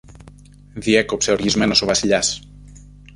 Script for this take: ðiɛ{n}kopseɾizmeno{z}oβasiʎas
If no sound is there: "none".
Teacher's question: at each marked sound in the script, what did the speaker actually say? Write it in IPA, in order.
none, s

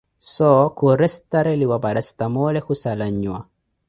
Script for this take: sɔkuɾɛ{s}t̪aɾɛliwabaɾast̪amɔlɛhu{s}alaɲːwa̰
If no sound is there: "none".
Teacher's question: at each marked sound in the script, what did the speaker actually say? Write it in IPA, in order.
s, s

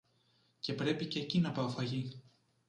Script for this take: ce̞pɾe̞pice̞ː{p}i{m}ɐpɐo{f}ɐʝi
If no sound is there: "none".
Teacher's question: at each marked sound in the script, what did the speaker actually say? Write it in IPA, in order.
c, n, f

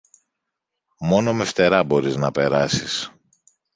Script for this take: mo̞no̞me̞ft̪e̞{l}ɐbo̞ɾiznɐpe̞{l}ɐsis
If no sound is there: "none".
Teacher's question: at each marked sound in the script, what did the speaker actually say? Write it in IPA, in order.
ɾ, ɾ

